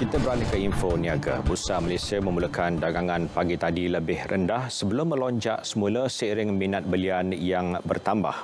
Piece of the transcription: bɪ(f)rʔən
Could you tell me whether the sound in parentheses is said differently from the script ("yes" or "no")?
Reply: yes